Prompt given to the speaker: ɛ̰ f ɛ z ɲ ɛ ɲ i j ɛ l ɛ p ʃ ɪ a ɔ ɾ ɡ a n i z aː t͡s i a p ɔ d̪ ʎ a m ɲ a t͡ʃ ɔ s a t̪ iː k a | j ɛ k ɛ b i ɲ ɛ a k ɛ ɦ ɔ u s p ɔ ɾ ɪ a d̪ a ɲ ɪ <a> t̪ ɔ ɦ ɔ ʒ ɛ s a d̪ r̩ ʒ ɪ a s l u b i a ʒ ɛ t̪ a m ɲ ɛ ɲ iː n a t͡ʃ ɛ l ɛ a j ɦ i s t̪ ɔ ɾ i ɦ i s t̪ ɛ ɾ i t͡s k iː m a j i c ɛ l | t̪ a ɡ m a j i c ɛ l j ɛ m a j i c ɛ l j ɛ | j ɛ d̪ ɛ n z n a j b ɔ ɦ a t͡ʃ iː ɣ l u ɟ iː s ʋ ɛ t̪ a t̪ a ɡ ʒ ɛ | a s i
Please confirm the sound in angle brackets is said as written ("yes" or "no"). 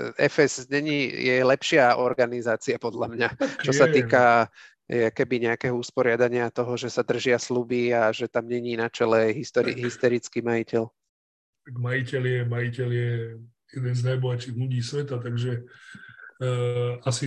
yes